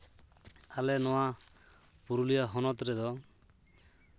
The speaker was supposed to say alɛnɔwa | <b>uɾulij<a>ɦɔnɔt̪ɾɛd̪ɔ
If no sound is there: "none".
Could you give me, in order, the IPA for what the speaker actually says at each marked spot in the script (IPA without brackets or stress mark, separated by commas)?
p, a